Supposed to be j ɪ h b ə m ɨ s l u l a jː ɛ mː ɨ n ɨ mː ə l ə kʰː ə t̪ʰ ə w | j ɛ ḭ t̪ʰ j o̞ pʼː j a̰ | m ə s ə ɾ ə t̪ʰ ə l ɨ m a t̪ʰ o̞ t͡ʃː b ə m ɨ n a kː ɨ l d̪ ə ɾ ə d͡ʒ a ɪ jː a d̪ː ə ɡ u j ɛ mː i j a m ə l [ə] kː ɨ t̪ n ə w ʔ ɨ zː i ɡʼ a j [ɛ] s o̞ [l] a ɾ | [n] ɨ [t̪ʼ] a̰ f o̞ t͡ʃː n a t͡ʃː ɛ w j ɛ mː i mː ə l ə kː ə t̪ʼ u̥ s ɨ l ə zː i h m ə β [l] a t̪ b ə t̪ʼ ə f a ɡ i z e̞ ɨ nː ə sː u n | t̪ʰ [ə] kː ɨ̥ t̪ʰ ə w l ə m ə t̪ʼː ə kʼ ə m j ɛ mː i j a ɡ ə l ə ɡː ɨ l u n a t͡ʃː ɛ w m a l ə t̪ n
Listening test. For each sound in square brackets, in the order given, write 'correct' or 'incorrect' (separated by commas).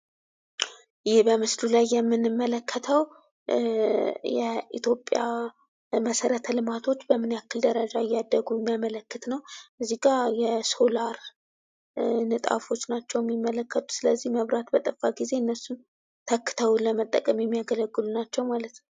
correct, correct, correct, correct, correct, incorrect, correct